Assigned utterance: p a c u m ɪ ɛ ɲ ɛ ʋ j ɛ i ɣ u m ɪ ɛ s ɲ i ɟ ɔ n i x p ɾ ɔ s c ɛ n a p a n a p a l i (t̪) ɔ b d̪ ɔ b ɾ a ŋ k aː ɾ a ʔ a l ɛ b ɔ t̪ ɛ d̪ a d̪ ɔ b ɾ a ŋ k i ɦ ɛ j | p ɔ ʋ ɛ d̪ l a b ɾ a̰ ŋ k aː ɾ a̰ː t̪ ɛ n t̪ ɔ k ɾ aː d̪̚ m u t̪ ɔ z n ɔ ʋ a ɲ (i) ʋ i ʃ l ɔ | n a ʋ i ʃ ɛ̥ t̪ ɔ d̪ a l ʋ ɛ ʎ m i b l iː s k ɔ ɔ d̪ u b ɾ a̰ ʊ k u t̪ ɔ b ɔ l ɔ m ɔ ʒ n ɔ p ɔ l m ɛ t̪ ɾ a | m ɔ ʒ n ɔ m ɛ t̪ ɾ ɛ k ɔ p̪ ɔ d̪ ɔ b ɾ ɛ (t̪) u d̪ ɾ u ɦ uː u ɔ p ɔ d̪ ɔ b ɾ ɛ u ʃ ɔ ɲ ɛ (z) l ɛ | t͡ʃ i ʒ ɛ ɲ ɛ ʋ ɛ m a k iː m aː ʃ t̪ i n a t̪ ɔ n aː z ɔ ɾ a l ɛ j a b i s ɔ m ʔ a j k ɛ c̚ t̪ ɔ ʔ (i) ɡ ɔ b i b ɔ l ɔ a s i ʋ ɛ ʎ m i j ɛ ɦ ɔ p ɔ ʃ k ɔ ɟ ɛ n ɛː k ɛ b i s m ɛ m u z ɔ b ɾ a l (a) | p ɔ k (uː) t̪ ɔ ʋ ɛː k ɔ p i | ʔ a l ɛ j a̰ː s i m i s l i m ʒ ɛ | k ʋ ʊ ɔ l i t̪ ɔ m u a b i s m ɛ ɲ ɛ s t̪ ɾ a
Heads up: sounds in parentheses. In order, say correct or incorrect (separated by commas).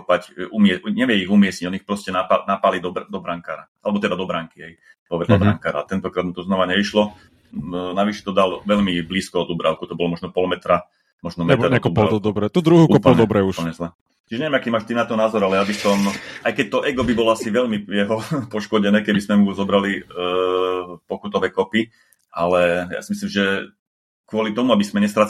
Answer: incorrect, incorrect, correct, correct, incorrect, incorrect, incorrect